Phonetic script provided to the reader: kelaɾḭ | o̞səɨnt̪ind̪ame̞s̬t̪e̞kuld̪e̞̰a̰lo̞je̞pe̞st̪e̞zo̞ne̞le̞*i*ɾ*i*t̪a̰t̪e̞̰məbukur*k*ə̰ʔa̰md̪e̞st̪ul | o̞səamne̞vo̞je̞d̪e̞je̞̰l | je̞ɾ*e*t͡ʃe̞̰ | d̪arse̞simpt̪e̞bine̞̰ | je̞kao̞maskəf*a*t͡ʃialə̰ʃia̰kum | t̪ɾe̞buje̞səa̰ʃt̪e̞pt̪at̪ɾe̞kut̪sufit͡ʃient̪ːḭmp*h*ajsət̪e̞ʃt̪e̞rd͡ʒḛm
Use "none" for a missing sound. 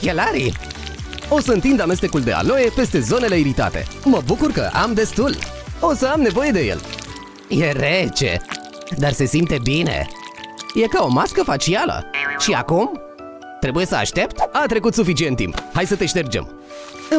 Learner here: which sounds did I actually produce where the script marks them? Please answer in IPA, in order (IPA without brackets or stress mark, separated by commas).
i, i, k, e, a, h